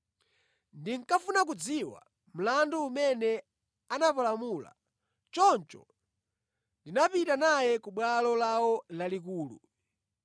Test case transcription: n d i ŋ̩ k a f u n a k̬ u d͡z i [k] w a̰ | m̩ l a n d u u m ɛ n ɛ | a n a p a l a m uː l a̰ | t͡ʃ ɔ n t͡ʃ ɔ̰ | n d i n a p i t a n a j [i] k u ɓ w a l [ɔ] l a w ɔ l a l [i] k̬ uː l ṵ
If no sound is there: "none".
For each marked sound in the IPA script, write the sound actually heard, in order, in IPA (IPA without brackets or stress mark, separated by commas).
none, ɛ, ɔ, i